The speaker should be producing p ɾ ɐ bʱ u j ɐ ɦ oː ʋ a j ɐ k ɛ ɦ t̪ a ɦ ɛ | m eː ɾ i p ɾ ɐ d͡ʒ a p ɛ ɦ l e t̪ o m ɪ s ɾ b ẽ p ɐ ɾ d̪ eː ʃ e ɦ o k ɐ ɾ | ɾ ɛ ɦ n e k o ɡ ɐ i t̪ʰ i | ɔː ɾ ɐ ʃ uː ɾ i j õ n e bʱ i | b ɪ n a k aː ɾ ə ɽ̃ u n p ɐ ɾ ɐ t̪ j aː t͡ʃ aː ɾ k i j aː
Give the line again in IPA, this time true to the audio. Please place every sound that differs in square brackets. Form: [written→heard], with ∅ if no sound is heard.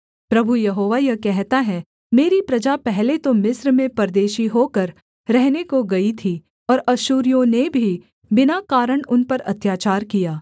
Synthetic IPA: p ɾ ɐ bʱ u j ɐ ɦ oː ʋ a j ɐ k ɛ ɦ t̪ a ɦ ɛ | m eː ɾ i p ɾ ɐ d͡ʒ a p ɛ ɦ l e t̪ o m ɪ s ɾ [b→m] ẽ p ɐ ɾ d̪ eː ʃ [e→i] ɦ o k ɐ ɾ | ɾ ɛ ɦ n e k o ɡ ɐ i t̪ʰ i | ɔː ɾ ɐ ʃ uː ɾ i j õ n e bʱ i | b ɪ n a k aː ɾ ə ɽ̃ [u→ʊ] n p ɐ ɾ ɐ t̪ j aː t͡ʃ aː ɾ k i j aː